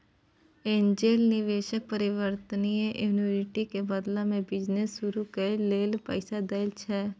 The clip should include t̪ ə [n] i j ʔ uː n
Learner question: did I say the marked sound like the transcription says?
yes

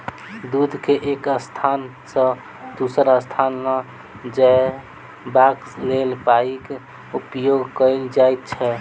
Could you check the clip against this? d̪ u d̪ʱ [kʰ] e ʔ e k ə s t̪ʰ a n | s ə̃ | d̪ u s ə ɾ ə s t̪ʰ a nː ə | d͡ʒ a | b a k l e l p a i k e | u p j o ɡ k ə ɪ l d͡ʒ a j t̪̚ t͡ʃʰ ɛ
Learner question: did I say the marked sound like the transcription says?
no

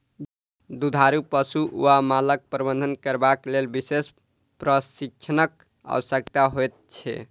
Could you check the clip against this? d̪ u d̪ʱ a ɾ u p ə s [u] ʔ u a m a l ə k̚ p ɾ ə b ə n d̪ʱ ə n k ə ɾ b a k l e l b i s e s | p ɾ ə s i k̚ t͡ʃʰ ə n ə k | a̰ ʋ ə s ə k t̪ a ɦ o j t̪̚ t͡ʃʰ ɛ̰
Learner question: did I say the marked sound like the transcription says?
yes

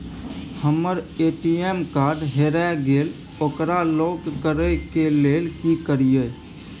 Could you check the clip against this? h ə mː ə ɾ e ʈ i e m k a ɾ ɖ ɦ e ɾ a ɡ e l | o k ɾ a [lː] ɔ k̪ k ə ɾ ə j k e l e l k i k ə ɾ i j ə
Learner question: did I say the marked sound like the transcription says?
no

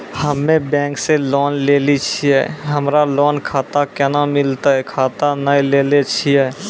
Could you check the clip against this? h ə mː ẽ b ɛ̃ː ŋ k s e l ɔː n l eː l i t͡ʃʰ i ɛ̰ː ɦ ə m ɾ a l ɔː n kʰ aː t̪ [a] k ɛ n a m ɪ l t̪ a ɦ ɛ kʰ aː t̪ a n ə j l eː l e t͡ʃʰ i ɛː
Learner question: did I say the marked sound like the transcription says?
yes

